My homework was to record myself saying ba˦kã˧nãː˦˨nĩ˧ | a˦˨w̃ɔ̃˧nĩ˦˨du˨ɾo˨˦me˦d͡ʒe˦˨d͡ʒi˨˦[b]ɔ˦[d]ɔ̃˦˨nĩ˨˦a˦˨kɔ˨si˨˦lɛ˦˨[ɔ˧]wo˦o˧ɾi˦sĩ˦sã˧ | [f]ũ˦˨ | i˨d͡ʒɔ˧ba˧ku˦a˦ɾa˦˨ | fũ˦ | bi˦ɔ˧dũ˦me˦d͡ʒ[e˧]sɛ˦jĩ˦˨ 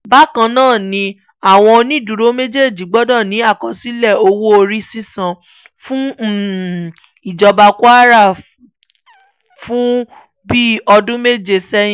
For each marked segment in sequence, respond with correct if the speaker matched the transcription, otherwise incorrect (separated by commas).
incorrect, correct, incorrect, correct, correct